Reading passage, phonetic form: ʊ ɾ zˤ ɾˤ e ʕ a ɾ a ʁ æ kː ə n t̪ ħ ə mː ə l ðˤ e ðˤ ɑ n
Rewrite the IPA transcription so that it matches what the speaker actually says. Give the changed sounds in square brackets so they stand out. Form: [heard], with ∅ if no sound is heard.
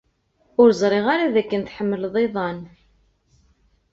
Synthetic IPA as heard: ʊ ɾ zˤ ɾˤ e [ʁ] a ɾ a [ð] æ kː ə n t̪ ħ ə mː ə l ðˤ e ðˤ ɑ n